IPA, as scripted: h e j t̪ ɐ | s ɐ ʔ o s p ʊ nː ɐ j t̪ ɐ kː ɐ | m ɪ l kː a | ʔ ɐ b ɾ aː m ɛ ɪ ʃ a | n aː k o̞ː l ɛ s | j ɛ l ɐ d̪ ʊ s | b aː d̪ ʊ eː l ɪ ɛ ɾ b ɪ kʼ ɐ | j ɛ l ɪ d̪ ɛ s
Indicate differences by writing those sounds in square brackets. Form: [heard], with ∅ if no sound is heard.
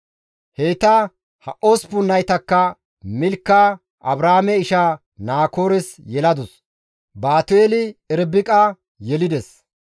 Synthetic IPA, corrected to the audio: h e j t̪ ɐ | [h] ɐ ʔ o s p ʊ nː ɐ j t̪ ɐ kː ɐ | m ɪ l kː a | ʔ ɐ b ɾ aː m ɛ ɪ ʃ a | n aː k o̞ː [ɾ] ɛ s | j ɛ l ɐ d̪ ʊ s | b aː [t̪] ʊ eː l ɪ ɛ ɾ b ɪ kʼ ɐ | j ɛ l ɪ d̪ ɛ s